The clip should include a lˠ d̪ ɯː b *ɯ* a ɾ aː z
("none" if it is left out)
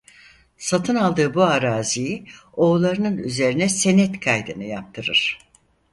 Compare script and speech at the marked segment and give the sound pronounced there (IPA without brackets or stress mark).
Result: u